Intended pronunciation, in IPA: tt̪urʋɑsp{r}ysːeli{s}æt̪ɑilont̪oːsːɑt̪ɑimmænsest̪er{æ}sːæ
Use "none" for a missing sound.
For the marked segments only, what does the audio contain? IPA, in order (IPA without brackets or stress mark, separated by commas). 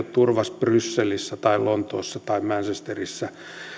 r, sː, i